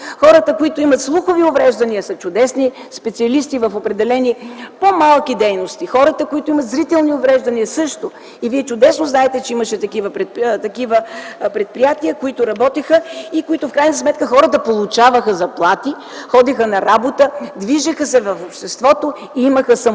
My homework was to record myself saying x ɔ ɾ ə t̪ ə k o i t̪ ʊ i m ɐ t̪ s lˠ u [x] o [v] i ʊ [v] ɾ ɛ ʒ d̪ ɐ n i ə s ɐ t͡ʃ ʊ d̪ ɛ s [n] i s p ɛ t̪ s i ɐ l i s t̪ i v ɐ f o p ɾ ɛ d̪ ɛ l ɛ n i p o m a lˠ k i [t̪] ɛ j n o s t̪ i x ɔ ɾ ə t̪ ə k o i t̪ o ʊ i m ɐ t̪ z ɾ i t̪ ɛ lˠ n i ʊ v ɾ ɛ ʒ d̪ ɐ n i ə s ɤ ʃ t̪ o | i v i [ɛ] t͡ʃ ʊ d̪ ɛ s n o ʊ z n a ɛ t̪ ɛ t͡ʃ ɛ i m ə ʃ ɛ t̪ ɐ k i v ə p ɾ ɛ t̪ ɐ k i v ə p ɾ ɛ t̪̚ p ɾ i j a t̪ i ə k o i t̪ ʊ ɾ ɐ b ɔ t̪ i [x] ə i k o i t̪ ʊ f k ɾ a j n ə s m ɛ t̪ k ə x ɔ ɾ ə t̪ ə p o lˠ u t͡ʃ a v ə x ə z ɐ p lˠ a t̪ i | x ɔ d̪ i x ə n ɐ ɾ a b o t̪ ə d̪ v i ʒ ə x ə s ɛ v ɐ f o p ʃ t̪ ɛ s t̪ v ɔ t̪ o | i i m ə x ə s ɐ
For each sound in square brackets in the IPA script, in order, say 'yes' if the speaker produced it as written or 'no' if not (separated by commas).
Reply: yes, yes, yes, yes, no, yes, yes